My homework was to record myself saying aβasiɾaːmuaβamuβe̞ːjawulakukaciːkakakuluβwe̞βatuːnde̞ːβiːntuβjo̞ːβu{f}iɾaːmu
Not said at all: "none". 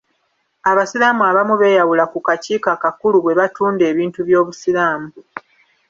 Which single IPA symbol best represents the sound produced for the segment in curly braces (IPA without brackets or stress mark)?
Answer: s